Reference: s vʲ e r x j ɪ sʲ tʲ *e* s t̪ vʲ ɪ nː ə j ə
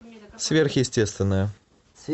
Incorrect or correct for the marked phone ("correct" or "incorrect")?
correct